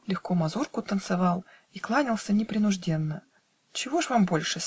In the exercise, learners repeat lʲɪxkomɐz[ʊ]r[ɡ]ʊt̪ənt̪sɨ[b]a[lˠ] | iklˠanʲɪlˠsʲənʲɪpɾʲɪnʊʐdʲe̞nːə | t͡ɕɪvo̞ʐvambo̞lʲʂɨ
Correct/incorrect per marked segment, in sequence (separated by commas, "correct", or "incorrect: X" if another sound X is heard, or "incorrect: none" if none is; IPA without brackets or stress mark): incorrect: u, incorrect: k, incorrect: v, correct